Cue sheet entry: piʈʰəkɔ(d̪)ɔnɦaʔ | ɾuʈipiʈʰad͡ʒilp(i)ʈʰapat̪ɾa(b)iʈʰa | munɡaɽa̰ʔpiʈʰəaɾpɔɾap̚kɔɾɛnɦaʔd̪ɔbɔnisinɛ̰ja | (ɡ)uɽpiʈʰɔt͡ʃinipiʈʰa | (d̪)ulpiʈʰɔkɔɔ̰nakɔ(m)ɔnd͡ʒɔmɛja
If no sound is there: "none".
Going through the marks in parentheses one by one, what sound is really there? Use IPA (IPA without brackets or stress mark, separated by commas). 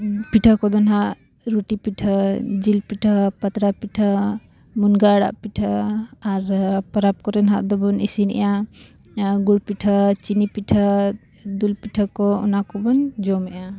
d̪, i, p, ɡ, d̪, b